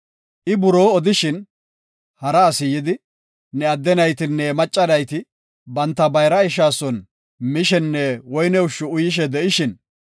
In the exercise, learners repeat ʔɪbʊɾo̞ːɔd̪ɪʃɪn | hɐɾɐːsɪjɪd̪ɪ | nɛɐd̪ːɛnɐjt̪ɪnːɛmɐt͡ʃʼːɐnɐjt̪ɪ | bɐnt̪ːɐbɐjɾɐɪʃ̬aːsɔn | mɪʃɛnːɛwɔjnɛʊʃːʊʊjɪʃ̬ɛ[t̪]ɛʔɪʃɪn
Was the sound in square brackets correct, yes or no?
no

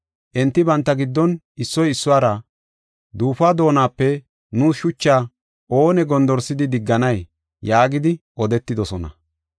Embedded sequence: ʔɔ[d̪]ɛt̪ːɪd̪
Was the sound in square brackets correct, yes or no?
yes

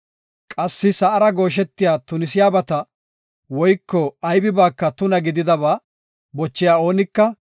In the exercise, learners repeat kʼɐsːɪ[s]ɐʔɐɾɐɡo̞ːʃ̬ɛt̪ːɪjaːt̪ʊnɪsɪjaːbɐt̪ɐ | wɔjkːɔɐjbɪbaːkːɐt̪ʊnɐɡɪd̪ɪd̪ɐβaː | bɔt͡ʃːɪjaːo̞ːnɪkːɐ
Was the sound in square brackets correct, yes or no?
yes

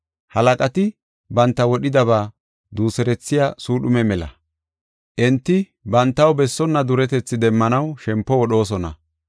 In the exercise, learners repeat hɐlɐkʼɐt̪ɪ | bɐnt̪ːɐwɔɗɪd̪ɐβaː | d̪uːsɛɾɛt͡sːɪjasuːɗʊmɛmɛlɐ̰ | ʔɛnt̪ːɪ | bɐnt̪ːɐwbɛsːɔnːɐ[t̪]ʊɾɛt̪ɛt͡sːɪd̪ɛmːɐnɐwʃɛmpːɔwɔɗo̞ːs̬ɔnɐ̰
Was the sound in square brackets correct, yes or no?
no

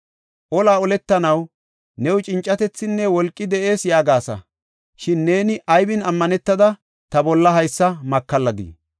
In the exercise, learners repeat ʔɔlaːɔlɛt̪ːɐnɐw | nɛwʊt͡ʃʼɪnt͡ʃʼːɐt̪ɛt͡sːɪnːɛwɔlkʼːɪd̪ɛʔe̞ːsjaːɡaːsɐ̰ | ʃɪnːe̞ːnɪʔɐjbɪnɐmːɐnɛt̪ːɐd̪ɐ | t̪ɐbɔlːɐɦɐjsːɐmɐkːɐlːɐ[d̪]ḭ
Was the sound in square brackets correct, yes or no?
yes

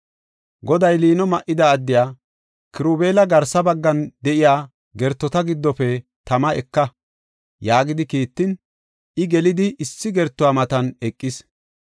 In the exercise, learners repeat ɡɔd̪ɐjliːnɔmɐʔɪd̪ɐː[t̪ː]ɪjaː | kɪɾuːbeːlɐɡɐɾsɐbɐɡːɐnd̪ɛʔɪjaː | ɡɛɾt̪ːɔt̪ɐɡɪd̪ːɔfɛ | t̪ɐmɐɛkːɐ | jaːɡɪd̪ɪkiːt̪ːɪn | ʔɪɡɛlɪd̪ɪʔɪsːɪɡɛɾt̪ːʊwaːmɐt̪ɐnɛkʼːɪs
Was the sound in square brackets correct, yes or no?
no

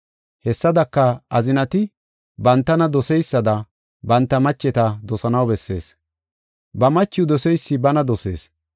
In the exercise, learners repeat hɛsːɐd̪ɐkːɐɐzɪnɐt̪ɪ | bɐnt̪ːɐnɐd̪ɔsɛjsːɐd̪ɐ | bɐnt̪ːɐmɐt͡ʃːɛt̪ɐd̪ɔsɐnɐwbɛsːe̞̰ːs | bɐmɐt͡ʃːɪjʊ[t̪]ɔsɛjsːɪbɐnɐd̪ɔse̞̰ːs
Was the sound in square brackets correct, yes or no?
no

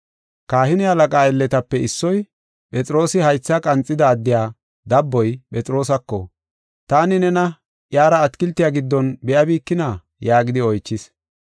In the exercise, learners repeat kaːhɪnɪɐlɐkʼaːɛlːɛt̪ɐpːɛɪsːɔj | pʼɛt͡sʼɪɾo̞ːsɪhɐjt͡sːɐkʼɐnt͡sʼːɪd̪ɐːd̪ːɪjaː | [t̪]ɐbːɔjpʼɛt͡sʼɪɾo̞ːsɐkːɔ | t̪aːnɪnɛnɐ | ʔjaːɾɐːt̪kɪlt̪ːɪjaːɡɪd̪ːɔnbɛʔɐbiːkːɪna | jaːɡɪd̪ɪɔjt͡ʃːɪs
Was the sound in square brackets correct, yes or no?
no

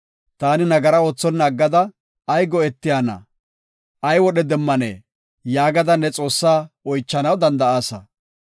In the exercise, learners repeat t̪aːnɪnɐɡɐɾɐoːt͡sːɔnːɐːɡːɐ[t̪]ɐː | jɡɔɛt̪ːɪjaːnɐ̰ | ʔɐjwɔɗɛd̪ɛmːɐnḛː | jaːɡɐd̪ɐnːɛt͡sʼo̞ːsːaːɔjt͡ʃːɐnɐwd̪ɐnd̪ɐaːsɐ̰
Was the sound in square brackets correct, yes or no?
no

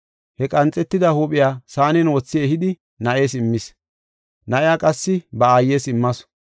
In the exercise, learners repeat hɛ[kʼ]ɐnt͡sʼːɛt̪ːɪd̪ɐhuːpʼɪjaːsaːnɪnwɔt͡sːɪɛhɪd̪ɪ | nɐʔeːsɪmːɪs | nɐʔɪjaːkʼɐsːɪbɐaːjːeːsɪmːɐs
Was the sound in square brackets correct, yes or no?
yes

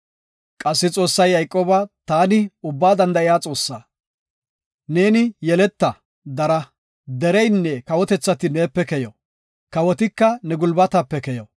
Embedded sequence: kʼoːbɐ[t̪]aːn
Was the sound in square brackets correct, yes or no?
yes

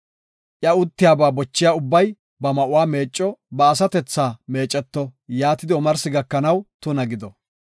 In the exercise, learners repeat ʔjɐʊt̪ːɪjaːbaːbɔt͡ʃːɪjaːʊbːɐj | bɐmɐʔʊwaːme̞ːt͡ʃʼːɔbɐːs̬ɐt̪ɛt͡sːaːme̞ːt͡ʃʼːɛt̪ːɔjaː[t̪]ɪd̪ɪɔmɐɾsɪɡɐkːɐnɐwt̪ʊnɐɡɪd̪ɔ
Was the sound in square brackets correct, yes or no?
yes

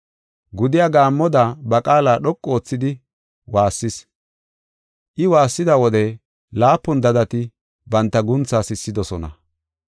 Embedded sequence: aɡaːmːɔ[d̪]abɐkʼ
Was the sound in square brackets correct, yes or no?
yes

